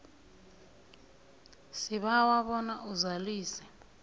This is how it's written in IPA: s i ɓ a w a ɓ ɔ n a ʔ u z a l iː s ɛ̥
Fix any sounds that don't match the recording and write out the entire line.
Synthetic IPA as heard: s i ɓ a w a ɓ ɔ n a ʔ u z a l iː s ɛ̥